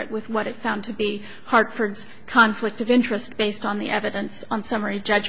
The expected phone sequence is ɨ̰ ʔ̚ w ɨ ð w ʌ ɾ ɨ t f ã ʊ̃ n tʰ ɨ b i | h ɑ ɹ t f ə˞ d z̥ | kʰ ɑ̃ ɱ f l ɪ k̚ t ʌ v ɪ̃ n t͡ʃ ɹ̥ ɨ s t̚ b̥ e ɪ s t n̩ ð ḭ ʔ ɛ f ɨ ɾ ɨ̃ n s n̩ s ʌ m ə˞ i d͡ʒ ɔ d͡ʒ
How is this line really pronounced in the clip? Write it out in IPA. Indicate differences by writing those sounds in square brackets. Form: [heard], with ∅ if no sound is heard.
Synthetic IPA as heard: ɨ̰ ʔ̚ w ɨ ð w ʌ ɾ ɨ t f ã ʊ̃ n tʰ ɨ b i | h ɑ ɹ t f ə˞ d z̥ | kʰ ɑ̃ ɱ f l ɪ k̚ t ʌ v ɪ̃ n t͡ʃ ɹ̥ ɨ s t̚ b̥ e ɪ s t n̩ ð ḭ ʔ ɛ [v] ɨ ɾ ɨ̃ n s n̩ s ʌ m ə˞ i d͡ʒ [ʌ] d͡ʒ